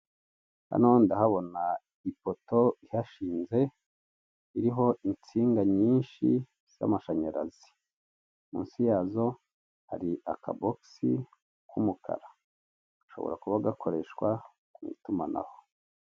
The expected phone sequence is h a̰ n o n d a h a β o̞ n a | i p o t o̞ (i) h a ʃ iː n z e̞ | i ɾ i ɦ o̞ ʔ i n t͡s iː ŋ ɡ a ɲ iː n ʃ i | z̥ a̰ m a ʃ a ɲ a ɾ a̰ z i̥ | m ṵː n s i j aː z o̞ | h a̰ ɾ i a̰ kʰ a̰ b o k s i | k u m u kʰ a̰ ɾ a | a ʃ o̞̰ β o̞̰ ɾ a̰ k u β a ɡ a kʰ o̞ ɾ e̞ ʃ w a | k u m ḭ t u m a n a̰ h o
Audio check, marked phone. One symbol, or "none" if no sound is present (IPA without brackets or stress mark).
i